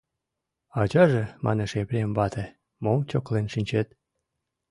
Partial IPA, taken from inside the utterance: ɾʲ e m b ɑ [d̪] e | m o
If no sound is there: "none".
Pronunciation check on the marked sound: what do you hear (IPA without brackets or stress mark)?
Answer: t̪